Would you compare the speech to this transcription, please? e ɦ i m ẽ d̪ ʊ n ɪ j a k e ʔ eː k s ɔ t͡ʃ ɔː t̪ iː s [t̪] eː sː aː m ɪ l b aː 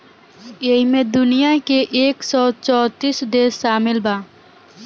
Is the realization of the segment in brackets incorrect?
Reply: yes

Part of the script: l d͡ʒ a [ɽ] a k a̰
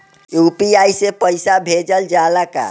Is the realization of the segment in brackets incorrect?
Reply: yes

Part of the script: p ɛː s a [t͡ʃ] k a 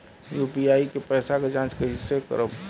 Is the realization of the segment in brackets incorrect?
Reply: yes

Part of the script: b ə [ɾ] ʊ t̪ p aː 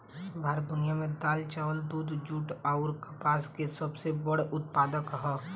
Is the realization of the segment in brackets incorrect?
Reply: yes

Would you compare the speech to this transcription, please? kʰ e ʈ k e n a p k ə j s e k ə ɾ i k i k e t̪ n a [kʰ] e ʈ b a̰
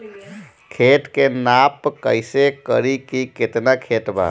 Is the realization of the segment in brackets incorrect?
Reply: no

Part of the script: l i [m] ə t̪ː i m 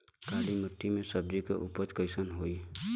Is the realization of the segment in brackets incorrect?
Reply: no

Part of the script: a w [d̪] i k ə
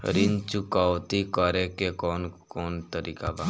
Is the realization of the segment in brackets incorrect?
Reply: yes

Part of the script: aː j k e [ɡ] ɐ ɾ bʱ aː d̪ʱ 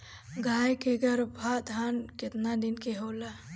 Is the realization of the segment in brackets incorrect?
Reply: no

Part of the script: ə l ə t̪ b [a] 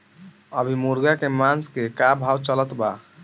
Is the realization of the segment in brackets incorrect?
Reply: no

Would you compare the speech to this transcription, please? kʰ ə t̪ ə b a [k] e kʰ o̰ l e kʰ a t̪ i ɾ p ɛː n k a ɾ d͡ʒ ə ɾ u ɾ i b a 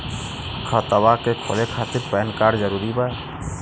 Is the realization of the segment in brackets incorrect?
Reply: no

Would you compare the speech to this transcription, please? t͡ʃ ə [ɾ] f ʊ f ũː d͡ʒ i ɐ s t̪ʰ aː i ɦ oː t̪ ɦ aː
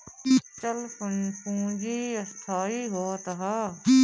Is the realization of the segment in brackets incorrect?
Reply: yes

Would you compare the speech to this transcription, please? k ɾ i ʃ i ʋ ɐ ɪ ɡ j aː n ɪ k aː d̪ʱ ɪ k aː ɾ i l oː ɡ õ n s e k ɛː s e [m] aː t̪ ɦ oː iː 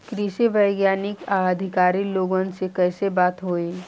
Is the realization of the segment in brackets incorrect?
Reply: yes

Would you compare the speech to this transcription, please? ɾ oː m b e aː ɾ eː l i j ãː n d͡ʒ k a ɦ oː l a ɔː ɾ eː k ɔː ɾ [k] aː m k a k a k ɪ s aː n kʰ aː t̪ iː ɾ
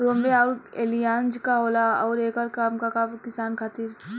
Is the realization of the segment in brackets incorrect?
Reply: no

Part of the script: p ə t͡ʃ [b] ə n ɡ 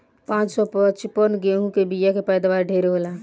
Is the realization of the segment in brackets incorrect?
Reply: yes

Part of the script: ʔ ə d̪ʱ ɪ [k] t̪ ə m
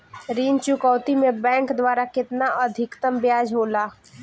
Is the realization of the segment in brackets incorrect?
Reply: no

